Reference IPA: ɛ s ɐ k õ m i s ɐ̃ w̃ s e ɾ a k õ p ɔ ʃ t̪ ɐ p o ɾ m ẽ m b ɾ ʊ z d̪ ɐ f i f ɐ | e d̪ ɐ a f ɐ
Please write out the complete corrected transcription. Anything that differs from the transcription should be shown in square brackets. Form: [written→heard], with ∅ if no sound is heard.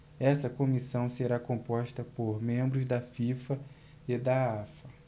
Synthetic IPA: ɛ s ɐ k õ m i s ɐ̃ w̃ s e ɾ a k õ p ɔ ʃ t̪ ɐ p o ɾ m ẽ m b ɾ ʊ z d̪ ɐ f i f ɐ | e d̪ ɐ a f ɐ